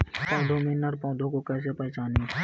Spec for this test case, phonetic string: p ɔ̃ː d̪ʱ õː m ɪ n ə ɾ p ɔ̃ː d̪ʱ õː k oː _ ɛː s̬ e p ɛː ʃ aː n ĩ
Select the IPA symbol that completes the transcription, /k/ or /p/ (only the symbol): k